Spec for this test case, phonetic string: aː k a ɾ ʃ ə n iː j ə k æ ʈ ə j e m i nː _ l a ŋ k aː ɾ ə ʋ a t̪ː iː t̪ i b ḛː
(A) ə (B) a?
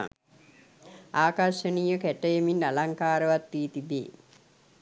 B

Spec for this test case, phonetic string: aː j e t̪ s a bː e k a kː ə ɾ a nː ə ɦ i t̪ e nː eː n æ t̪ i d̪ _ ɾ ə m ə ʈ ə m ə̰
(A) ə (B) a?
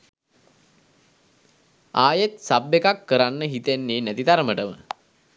B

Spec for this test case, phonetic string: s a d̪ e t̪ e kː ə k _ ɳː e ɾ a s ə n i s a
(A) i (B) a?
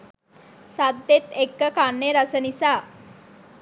B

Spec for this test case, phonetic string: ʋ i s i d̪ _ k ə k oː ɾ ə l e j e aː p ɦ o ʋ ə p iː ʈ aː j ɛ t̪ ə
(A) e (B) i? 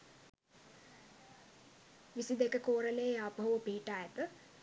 A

